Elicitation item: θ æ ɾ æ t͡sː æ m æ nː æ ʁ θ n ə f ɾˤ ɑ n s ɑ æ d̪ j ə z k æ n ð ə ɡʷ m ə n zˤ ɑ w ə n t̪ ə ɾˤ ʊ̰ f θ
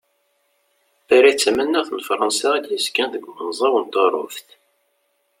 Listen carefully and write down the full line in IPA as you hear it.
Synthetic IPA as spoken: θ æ ɾ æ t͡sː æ m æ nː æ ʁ θ n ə f ɾˤ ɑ n s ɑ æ d̪ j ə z k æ n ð ə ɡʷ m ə n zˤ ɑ w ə n t̪ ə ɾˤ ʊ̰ f θ